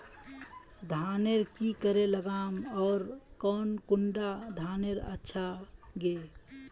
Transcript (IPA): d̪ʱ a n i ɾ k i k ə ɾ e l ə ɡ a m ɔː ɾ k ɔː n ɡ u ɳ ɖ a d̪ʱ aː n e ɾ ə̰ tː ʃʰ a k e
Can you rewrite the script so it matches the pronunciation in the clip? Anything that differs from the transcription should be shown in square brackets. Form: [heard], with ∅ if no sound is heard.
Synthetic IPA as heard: d̪ʱ a n [e] ɾ k i k ə ɾ e l ə ɡ a m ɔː ɾ k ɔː n [k] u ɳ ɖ a d̪ʱ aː n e ɾ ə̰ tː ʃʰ a [ɡ] e